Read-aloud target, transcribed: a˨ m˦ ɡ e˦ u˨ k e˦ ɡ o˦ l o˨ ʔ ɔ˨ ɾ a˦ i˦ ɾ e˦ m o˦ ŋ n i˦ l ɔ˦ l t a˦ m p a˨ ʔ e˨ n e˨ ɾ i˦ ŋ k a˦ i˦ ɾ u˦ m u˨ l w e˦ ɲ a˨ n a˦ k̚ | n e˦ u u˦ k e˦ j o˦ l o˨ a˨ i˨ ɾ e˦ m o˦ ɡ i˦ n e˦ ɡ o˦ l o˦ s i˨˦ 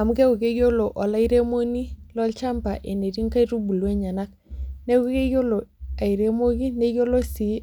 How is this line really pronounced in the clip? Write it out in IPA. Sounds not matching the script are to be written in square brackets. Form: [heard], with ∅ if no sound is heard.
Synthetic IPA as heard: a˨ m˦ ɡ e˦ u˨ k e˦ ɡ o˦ l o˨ ʔ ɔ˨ [l] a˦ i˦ ɾ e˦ m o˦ [∅] n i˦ l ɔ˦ l [t͡ʃ] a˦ m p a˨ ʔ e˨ n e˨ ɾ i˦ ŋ k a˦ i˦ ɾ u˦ [b] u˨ l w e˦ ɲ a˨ n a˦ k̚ | n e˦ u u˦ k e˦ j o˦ l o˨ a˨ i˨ ɾ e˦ m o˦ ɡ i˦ n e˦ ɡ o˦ l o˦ s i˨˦